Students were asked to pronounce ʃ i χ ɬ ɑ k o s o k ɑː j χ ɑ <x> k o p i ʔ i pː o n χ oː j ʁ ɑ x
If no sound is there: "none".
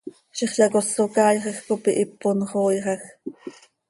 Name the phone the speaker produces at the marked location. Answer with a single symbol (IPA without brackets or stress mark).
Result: x